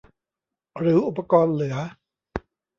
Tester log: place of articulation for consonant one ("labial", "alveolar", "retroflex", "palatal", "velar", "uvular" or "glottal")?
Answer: alveolar